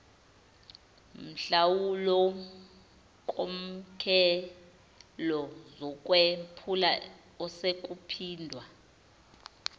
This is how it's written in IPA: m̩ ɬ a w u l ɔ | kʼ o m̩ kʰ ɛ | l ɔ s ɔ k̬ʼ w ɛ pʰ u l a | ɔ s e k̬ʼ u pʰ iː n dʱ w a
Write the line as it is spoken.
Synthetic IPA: m̩ ɬ a w u l ɔ | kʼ o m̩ kʰ ɛ | l ɔ z ɔ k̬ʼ w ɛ pʰ u l a | ɔ s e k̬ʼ u pʰ iː n dʱ w a